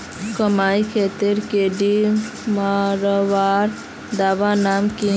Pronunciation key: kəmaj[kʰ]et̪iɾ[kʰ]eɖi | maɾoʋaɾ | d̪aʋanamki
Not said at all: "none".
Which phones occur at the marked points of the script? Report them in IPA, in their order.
kʰ, k

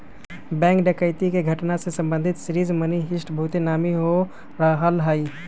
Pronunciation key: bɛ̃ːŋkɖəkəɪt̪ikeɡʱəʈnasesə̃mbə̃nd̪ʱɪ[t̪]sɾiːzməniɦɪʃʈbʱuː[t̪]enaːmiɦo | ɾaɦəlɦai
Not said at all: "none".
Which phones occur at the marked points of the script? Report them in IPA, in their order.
t̪, t̪

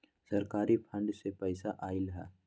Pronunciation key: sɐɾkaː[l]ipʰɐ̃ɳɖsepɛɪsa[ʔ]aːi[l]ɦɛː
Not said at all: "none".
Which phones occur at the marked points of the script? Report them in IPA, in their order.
ɾ, ʔ, l

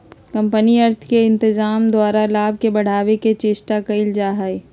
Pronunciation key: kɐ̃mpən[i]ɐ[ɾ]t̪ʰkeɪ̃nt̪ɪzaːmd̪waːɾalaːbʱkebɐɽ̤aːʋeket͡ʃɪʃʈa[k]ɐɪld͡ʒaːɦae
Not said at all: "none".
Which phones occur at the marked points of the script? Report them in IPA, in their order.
i, ɾ, k

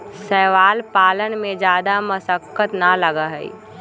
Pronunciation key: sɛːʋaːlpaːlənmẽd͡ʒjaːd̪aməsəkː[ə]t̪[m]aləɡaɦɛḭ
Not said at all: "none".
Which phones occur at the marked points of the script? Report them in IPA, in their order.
ə, n

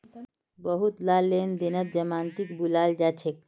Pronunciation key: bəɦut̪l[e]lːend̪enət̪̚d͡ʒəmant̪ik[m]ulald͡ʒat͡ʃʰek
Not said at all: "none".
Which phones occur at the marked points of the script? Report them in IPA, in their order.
a, b

